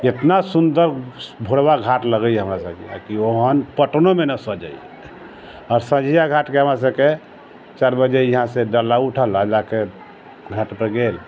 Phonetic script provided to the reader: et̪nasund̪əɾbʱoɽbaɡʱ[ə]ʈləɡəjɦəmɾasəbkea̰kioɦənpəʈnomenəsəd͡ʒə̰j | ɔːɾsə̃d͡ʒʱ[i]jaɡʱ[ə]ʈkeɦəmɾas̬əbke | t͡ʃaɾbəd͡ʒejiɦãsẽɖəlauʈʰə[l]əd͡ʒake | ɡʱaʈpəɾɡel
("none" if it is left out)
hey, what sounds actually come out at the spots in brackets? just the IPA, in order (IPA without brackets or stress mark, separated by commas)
a, i, a, l